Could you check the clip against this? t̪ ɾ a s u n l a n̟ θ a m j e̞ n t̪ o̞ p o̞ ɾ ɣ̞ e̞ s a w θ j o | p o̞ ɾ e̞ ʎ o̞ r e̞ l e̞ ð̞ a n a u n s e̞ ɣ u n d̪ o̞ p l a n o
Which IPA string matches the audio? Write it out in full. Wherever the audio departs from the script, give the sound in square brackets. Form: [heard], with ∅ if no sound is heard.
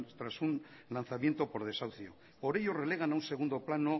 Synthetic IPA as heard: t̪ ɾ a s u n l a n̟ θ a m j e̞ n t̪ o̞ p o̞ ɾ [ð̞] e̞ s a w θ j o | p o̞ ɾ e̞ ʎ o̞ r e̞ l e̞ [ɣ̞] a n a u n s e̞ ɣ u n d̪ o̞ p l a n o